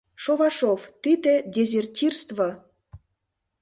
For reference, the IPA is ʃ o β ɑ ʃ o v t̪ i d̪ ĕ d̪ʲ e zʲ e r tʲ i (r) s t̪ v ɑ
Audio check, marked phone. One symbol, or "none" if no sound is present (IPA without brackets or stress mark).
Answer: r